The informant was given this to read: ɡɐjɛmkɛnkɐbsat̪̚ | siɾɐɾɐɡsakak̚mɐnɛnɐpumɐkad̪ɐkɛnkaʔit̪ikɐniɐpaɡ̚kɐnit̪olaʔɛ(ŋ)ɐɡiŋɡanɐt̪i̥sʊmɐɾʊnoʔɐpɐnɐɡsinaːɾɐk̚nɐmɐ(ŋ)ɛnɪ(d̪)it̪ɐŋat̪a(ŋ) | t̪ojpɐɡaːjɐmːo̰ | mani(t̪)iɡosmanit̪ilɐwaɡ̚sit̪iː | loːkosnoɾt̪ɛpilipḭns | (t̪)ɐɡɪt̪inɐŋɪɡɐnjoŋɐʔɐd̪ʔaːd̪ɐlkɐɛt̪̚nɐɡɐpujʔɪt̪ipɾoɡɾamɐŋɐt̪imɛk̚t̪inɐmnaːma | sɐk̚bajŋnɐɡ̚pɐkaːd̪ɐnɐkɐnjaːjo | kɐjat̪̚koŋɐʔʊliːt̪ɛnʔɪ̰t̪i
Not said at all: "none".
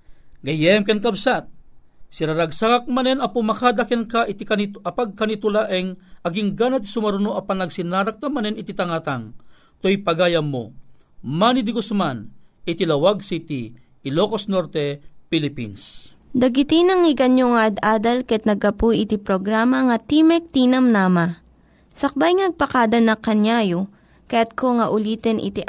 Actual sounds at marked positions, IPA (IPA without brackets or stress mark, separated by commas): ŋ, n, t̪, ŋ, d̪, d̪